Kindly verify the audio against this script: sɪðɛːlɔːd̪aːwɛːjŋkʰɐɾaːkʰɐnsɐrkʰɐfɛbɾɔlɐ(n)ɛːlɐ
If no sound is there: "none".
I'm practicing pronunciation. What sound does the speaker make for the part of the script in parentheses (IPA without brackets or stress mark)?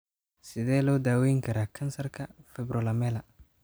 m